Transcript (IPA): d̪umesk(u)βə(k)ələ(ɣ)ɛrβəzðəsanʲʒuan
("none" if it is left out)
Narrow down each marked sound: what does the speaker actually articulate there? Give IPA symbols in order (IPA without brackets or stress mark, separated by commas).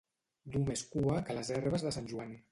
u, k, z